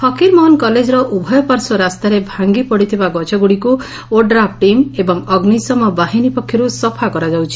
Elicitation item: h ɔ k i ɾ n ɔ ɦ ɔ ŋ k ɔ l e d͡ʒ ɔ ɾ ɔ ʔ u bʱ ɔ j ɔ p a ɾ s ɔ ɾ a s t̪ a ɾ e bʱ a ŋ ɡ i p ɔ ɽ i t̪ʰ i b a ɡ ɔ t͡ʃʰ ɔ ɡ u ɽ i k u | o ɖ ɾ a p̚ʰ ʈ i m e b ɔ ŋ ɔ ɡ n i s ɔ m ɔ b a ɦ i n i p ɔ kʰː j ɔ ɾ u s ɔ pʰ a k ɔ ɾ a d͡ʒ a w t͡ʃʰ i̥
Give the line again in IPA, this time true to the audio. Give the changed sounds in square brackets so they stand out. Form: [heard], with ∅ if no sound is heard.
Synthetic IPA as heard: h ɔ k i ɾ [m] ɔ ɦ ɔ [n] k ɔ l e d͡ʒ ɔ ɾ ɔ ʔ u bʱ ɔ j ɔ p a ɾ s ɔ ɾ a s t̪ a ɾ e bʱ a ŋ ɡ i p ɔ ɽ i t̪ʰ i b a ɡ ɔ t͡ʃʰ ɔ ɡ u ɽ i k u | o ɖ ɾ a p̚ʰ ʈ i m e b ɔ ŋ ɔ ɡ n i s ɔ m ɔ b a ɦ i n i p ɔ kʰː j ɔ ɾ u s ɔ pʰ a k ɔ ɾ a d͡ʒ a w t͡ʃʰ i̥